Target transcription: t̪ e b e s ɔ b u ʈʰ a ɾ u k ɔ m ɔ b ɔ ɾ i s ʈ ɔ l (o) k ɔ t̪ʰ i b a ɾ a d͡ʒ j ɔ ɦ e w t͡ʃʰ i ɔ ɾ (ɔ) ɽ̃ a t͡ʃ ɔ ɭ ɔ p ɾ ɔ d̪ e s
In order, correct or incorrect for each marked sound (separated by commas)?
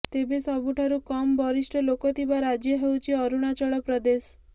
correct, incorrect